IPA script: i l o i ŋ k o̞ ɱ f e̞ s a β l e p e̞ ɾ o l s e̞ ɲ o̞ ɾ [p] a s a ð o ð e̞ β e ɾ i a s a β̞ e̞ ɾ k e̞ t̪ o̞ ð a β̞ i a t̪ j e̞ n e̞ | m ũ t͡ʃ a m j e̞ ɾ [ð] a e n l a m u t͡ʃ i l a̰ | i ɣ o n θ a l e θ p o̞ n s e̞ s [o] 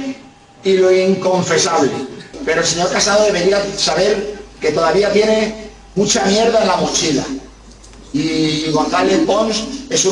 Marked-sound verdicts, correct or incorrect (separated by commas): incorrect, correct, incorrect